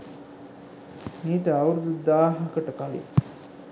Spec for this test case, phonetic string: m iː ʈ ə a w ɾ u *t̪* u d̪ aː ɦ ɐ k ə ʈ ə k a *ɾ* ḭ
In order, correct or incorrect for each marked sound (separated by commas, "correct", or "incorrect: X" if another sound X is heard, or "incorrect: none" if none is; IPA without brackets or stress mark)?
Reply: incorrect: d̪, incorrect: l